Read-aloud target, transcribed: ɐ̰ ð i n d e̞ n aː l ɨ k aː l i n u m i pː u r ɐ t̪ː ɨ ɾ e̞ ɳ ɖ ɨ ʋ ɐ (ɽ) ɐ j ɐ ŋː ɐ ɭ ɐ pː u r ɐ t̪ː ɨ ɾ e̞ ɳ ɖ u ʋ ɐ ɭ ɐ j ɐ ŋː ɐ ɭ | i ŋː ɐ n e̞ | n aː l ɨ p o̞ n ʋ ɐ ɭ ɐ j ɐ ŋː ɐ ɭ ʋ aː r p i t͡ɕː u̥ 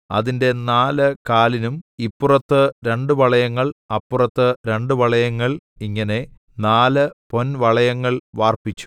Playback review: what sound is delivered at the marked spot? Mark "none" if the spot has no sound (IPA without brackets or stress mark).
ɭ